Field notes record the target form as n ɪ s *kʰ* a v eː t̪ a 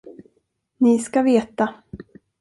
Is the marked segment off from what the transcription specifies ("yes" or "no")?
yes